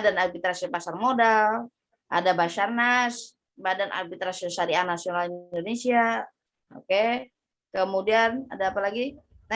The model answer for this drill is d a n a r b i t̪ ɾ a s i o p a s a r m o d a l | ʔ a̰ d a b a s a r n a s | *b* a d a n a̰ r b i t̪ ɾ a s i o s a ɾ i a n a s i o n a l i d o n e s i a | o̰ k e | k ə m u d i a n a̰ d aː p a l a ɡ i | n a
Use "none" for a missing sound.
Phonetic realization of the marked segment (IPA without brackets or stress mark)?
b